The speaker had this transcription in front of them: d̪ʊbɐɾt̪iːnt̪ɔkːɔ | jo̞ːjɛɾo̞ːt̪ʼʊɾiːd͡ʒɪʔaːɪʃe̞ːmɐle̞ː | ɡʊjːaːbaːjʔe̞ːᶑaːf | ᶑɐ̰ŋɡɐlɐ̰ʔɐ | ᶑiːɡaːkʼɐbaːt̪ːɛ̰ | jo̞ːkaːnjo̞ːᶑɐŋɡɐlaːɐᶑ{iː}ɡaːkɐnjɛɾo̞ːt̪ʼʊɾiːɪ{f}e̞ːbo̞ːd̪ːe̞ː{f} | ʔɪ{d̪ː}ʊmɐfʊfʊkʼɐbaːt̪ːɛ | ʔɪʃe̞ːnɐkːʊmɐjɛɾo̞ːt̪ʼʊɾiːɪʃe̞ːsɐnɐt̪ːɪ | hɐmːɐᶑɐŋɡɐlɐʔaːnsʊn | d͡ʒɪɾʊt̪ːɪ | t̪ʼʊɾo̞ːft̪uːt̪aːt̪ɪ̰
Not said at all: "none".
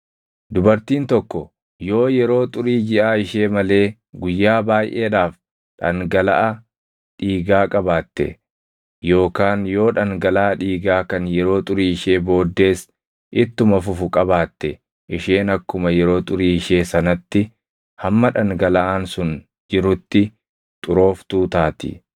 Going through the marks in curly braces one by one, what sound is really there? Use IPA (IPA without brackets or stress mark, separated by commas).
iː, ʃ, s, t̪ː